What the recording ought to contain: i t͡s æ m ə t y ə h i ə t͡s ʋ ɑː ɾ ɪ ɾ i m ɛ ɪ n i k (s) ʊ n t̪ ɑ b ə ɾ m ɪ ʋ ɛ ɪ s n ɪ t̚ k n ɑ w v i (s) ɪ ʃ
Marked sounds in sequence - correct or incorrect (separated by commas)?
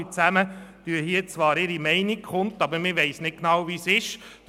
incorrect, correct